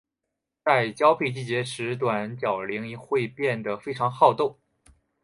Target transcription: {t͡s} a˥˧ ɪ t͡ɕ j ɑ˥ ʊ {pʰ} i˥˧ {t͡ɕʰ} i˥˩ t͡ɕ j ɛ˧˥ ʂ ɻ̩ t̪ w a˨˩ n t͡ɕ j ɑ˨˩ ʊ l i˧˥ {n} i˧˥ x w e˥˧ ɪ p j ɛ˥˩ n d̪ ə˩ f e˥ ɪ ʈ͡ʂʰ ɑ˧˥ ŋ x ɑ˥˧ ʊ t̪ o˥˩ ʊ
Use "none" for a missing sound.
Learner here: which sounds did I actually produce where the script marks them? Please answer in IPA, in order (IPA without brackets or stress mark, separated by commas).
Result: t͡s, pʰ, t͡ɕ, ŋ